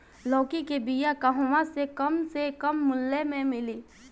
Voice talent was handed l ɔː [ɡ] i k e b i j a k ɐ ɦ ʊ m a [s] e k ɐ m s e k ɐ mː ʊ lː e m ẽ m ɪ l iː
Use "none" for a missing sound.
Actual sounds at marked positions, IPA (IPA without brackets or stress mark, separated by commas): k, s